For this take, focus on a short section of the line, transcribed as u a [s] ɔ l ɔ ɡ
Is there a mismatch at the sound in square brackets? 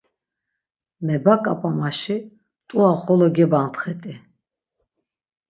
yes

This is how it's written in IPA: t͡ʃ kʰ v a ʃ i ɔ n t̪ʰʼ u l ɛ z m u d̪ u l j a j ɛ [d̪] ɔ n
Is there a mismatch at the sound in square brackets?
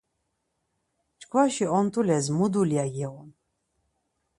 yes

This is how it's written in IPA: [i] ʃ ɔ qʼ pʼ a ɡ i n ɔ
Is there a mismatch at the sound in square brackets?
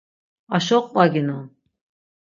yes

